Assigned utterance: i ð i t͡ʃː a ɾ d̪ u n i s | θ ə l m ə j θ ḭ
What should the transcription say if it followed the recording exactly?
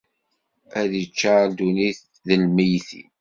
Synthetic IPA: æ ð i t͡ʃː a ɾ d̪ u n i θ | ð ə l m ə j θ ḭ